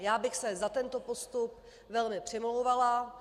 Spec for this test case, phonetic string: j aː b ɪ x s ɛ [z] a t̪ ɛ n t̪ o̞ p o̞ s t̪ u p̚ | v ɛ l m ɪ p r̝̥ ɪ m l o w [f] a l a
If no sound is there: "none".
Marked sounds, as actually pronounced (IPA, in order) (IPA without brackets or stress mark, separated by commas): z, v